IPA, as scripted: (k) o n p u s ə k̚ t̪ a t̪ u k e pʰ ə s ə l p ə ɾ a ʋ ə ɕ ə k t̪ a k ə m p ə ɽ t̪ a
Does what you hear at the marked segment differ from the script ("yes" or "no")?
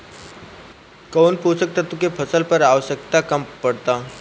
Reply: no